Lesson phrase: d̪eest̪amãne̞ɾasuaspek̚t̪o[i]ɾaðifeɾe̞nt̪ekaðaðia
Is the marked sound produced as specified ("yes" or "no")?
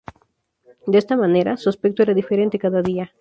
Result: no